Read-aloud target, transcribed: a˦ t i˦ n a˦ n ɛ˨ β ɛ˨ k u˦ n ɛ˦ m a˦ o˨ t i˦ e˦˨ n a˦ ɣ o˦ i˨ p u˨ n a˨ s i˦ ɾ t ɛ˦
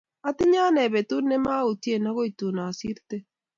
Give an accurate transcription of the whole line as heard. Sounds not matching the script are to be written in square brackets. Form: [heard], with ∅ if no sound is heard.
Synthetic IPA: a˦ t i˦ [ɲ] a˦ n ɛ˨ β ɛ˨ [t] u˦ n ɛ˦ m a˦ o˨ t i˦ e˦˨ n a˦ ɣ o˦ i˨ [t] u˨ n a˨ s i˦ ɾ t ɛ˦